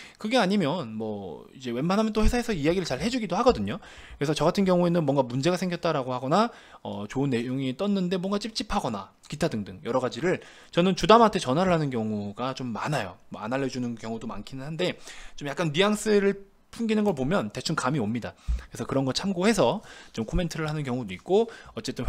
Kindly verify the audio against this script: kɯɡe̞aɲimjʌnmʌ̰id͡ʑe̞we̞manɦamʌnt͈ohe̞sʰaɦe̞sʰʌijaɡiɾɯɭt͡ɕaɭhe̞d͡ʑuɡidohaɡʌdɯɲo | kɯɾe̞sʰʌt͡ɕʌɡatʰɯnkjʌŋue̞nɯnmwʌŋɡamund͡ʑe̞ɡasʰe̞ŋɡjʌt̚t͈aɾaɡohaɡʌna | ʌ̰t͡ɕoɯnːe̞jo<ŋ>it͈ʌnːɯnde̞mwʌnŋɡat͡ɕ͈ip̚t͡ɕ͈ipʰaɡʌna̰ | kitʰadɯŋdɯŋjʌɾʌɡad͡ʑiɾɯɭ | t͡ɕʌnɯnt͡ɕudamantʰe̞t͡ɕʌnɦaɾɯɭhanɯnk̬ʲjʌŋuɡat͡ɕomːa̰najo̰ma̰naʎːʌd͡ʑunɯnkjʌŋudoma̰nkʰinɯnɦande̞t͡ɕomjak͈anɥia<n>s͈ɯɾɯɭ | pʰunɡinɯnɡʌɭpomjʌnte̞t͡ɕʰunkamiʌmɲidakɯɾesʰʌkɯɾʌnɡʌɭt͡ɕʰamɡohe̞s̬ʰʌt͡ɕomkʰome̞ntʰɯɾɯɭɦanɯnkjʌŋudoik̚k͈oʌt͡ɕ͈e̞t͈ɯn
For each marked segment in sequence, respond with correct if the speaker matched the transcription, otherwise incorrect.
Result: correct, incorrect: ŋ

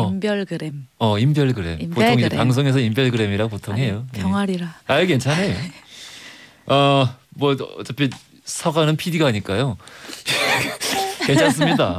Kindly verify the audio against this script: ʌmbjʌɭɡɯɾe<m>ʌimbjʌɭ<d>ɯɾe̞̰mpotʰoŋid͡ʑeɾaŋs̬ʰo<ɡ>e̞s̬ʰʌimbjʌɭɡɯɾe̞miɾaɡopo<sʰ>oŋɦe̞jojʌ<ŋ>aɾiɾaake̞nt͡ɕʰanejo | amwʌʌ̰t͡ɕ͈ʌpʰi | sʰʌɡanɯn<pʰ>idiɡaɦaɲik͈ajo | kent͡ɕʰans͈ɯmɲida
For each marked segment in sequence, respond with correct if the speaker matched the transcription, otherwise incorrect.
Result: correct, incorrect: ɡ, incorrect: ŋ, incorrect: tʰ, correct, correct

